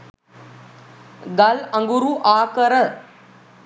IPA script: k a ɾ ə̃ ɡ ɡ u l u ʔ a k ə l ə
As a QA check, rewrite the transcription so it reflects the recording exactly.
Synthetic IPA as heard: ɡ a l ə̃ ŋ ɡ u ɾ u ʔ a k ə ɾ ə